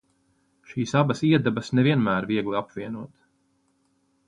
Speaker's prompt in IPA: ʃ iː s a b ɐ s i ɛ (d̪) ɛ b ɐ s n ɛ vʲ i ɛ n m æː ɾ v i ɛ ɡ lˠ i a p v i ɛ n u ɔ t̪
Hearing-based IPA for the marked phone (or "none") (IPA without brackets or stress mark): d̪